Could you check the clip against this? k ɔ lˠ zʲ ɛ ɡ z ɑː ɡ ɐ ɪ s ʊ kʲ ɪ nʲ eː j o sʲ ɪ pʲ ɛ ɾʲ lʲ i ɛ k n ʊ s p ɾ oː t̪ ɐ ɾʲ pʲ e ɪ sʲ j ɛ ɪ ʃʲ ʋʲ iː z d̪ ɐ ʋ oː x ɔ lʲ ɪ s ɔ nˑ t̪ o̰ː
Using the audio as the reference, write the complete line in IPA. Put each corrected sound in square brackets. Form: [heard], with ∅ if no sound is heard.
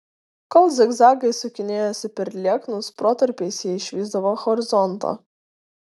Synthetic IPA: k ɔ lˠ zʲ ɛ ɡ z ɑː ɡ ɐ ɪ s ʊ kʲ ɪ nʲ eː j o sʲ ɪ pʲ ɛ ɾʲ lʲ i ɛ k n ʊ s p ɾ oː t̪ ɐ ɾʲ pʲ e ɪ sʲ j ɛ ɪ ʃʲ ʋʲ iː z d̪ ɐ ʋ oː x ɔ [ɾʲ] ɪ [z] ɔ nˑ t̪ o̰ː